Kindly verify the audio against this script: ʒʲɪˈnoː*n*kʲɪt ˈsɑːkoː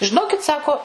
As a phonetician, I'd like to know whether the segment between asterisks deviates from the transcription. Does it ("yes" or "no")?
yes